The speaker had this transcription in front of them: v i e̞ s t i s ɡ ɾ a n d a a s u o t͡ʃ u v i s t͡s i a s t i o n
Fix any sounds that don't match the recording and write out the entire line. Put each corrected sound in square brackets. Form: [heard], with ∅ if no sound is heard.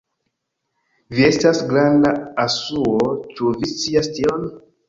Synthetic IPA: v i e̞ s t [a] s ɡ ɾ a n d a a s u o t͡ʃ u v i s t͡s i a s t i o n